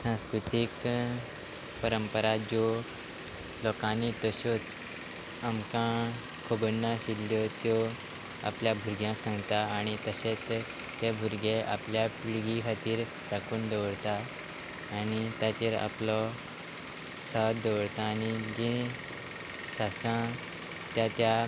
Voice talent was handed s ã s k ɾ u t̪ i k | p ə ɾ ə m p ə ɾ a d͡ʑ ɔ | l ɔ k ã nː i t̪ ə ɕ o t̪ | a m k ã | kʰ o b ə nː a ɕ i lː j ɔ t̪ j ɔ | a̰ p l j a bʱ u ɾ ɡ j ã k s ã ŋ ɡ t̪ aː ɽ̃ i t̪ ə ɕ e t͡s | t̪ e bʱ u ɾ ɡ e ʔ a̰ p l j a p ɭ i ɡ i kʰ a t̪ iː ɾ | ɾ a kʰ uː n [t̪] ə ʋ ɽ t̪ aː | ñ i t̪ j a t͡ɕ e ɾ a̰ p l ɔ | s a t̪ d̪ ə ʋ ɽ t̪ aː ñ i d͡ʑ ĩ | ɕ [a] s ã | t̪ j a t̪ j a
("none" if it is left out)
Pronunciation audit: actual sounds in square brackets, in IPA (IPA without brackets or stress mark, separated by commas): d̪, a